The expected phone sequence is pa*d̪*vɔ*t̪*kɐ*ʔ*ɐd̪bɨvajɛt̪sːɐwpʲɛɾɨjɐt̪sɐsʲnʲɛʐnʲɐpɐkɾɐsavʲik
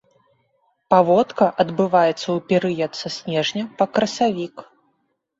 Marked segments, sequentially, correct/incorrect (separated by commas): incorrect, correct, correct